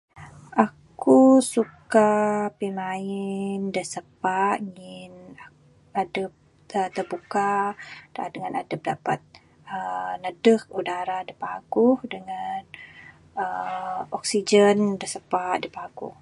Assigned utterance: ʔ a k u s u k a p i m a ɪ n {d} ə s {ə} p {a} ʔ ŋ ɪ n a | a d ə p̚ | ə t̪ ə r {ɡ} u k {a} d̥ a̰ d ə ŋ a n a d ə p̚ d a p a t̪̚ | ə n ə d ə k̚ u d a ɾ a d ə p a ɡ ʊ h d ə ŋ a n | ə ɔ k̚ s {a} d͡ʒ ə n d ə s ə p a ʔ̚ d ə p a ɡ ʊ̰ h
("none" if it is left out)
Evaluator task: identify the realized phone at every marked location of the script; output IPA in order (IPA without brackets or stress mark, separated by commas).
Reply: d, ə, a, b, a, i